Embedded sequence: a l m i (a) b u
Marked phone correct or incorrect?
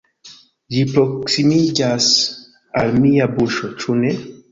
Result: correct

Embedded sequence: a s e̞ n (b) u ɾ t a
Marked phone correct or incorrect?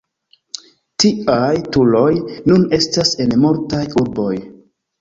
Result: incorrect: m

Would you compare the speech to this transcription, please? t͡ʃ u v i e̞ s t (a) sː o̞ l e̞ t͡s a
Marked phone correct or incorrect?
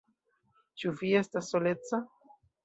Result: correct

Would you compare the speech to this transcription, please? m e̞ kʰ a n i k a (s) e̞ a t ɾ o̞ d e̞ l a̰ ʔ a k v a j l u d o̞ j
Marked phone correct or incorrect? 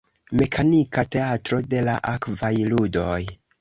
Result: incorrect: t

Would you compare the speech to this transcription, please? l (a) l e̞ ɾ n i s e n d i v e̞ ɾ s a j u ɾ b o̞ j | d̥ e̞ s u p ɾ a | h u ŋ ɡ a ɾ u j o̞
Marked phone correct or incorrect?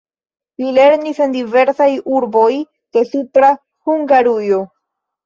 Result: incorrect: i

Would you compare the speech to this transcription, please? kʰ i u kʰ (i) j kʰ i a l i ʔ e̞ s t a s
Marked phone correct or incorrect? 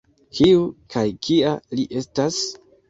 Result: incorrect: a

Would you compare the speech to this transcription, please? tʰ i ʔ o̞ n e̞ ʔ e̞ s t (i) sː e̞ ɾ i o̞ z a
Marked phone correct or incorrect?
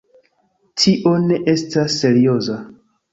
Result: incorrect: a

